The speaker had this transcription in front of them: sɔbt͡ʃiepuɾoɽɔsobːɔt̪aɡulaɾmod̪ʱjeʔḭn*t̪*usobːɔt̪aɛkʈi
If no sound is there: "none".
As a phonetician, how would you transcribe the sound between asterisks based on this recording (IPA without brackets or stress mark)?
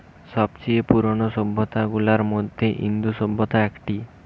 d̪